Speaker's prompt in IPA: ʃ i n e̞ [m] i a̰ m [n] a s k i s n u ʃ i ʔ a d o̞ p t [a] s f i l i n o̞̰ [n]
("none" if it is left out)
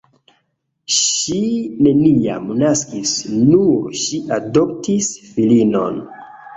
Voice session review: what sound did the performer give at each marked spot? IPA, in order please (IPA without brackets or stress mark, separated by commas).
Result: n, n, i, n